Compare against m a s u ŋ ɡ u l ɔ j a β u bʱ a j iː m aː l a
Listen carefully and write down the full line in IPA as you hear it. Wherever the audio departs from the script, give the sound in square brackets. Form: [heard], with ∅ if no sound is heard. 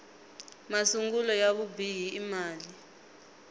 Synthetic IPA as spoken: m a s u ŋ ɡ u l ɔ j a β u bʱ [i] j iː m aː l [i]